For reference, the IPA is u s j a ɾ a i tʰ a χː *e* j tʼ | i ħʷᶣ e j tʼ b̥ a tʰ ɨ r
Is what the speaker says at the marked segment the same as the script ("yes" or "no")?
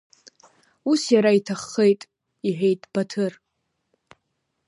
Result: yes